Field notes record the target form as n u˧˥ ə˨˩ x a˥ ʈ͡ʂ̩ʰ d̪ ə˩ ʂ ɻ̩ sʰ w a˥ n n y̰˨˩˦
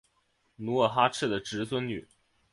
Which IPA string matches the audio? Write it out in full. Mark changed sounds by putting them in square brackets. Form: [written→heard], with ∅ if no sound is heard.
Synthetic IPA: n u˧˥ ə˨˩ x a˥ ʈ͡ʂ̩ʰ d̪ ə˩ [ʂ→ʈ͡ʂ] ɻ̩ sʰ w [a˥→ə˥] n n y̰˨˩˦